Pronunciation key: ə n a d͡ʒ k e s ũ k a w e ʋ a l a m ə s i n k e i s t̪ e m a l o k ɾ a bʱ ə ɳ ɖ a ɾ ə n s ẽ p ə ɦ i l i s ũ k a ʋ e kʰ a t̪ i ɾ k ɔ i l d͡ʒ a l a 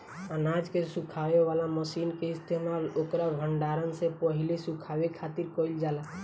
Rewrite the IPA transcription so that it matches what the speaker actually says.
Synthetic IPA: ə n a d͡ʒ k e s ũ kʰ a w e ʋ a l a m ə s i n k e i s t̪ e m a l o k ɾ a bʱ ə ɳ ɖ a ɾ ə n s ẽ p ə ɦ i l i s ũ kʰ a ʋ e kʰ a t̪ i ɾ k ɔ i l d͡ʒ a l a